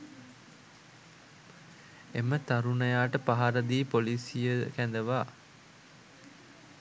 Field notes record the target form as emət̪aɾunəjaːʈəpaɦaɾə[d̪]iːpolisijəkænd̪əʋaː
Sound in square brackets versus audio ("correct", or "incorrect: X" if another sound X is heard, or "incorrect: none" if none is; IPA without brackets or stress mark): correct